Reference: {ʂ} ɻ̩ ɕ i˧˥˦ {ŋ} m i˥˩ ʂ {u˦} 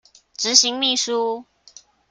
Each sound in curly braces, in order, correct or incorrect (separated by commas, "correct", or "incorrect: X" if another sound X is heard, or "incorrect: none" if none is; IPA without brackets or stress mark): incorrect: ʈ͡ʂ, correct, correct